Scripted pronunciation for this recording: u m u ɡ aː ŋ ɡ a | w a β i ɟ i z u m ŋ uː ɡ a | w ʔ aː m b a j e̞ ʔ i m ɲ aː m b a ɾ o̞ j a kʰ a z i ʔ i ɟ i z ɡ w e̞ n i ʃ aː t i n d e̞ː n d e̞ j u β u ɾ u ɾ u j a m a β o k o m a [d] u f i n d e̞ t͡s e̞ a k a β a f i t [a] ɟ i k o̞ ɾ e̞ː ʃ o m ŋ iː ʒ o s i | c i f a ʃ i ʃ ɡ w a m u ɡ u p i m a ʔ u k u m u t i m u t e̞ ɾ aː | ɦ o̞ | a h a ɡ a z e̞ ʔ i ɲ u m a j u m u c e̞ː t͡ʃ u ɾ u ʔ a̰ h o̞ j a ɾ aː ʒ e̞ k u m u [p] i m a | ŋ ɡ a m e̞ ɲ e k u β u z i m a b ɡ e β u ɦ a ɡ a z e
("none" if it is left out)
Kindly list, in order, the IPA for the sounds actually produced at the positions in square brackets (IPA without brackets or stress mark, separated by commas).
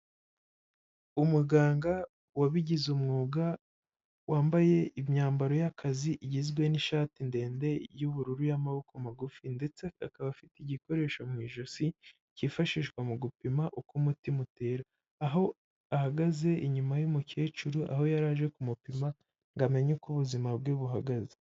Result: ɡ, i, p